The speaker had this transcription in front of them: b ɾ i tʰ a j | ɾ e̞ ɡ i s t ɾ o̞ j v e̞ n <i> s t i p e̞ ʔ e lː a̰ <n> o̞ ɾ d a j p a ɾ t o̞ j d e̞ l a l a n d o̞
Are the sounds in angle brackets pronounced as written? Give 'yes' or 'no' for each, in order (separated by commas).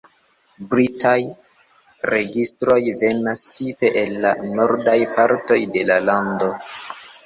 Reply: no, yes